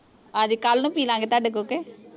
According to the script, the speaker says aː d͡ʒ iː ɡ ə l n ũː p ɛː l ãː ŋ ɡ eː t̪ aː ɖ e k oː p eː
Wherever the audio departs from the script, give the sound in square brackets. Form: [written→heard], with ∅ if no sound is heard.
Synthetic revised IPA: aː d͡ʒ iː [ɡ→k] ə l n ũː p [ɛː→iː] l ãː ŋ ɡ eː t̪ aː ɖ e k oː [p→k] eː